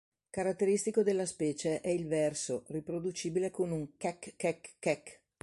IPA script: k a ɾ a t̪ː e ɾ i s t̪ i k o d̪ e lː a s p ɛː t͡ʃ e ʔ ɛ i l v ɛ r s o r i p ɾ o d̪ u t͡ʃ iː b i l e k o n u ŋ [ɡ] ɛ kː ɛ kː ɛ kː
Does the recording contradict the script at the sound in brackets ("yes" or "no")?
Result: yes